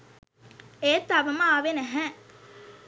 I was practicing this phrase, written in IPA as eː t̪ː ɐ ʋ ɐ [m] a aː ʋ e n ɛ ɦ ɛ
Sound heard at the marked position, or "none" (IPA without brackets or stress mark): m